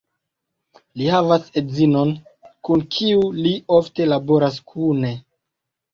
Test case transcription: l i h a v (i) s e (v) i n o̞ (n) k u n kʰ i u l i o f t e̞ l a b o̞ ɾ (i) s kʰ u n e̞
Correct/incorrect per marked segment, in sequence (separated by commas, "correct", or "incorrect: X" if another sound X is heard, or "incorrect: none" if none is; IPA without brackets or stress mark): incorrect: a, incorrect: z, correct, incorrect: a